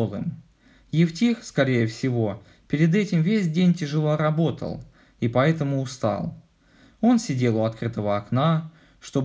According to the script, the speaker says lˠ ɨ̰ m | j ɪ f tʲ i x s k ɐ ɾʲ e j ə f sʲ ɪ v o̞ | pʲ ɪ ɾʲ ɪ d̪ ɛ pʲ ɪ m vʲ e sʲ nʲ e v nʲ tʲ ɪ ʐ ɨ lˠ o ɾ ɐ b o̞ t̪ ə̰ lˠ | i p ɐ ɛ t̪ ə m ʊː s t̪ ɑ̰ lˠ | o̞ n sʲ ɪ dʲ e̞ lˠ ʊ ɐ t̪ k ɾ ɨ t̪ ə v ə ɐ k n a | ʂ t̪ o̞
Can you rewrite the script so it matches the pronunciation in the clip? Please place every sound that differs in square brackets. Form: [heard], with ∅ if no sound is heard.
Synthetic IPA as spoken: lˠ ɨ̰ m | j ɪ f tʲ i x s k ɐ ɾʲ e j ə f sʲ ɪ v o̞ | pʲ ɪ ɾʲ ɪ d̪ ɛ [tʲ] ɪ m vʲ e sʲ [dʲ] e [∅] nʲ tʲ ɪ ʐ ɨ lˠ o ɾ ɐ b o̞ t̪ ə̰ lˠ | i p ɐ ɛ t̪ ə m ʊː s t̪ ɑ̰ lˠ | o̞ n sʲ ɪ dʲ e̞ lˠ ʊ ɐ t̪ k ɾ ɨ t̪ ə v ə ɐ k n a | ʂ t̪ o̞